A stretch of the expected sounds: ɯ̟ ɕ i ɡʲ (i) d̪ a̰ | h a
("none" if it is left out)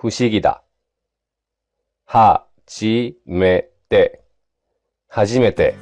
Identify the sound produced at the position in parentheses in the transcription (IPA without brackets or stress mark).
i